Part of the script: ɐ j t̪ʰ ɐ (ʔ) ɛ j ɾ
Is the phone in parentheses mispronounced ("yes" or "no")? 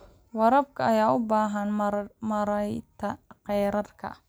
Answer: yes